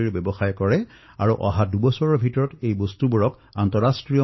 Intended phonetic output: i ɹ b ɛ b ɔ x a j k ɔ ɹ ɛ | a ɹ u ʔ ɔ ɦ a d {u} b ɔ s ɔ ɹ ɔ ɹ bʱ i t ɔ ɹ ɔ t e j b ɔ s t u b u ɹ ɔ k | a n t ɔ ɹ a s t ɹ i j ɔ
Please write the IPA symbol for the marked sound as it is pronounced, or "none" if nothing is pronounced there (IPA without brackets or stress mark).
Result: u